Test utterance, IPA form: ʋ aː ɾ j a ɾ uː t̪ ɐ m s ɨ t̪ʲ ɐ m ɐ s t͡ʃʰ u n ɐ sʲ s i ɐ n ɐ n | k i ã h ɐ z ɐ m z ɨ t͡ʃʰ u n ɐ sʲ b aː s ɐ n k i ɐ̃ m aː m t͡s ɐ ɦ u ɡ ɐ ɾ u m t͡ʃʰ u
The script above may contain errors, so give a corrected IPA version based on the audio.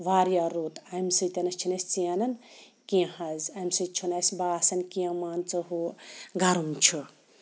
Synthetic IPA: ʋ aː ɾ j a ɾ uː t̪ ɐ m s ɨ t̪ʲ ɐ n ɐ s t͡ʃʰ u n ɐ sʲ t͡s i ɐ n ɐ n | k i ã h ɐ z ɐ m s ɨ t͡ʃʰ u n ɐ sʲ b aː s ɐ n k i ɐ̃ m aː n t͡s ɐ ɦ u ɡ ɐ ɾ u m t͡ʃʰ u